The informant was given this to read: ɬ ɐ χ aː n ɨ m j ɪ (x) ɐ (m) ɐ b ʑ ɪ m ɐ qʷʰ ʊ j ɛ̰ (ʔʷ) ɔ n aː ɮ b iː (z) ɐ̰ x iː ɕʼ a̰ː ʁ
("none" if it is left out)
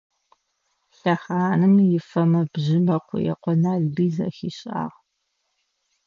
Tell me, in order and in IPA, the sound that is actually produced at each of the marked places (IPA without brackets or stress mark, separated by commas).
f, m, qʷ, z